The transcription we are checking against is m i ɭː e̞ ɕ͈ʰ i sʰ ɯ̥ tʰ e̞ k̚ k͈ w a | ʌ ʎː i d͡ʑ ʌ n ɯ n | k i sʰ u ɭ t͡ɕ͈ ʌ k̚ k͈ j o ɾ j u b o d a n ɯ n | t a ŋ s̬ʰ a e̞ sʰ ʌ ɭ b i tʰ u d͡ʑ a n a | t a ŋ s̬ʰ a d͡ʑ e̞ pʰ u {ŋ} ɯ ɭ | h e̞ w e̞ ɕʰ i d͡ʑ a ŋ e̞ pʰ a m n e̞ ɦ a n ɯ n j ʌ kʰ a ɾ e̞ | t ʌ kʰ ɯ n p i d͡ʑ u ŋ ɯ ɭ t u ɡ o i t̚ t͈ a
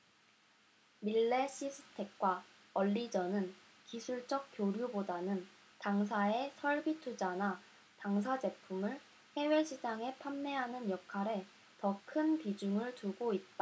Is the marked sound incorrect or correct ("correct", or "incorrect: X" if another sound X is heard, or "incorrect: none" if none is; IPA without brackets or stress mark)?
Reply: incorrect: m